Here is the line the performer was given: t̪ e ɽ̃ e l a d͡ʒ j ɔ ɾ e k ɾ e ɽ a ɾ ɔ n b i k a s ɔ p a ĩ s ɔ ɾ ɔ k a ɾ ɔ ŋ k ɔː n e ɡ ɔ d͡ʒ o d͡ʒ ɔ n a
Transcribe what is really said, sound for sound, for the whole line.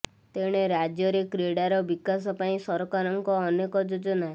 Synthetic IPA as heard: t̪ e ɽ̃ e ɾ a d͡ʒ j ɔ ɾ e k ɾ e ɽ a ɾ ɔ b i k a s ɔ p a ĩ s ɔ ɾ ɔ k a ɾ ɔ ŋ k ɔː n e k ɔ d͡ʒ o d͡ʒ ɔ n a